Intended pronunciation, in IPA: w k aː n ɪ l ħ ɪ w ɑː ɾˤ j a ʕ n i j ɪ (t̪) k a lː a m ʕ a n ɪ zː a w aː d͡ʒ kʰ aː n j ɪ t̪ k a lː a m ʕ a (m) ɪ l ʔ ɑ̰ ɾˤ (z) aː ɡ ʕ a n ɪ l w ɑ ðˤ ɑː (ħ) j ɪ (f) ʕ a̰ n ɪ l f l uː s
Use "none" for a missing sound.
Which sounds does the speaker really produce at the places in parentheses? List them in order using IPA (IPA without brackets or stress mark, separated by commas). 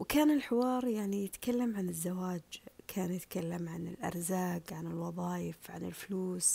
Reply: t̪, n, z, none, f